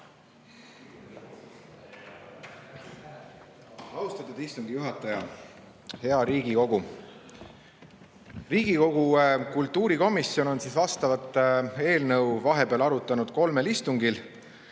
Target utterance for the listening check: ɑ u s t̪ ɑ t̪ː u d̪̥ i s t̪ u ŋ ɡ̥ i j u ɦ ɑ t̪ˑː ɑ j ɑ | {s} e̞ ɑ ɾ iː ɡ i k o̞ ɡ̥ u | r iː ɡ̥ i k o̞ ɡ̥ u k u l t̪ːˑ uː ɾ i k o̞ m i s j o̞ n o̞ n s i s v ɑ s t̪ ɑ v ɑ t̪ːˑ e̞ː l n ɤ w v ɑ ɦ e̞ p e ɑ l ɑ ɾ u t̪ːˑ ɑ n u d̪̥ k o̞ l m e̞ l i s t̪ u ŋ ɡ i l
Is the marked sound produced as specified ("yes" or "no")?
no